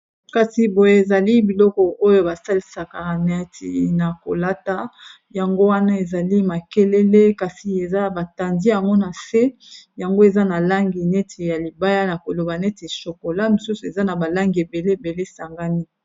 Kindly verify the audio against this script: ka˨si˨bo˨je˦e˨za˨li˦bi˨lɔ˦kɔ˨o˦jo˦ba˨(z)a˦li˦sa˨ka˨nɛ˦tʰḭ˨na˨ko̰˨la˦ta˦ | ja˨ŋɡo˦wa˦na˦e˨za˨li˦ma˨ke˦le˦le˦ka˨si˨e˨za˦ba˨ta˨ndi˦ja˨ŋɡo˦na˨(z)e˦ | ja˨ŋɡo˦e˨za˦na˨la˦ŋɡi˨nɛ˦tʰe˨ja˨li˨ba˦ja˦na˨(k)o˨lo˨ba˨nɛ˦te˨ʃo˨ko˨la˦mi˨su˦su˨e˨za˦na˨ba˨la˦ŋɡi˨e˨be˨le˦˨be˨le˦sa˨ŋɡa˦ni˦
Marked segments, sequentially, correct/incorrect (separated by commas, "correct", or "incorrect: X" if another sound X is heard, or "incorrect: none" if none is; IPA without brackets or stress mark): incorrect: s, incorrect: s, correct